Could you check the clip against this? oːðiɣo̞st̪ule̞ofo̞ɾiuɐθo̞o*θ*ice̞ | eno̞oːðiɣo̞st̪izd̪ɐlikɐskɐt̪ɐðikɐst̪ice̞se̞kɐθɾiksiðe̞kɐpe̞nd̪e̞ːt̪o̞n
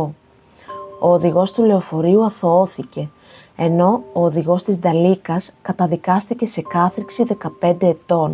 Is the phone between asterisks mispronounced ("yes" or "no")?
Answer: no